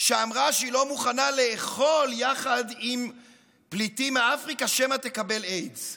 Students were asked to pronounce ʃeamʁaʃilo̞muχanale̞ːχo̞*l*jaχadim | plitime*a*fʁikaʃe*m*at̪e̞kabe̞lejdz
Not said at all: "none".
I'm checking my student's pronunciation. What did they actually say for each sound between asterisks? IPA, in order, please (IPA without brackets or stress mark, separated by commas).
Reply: l, a, m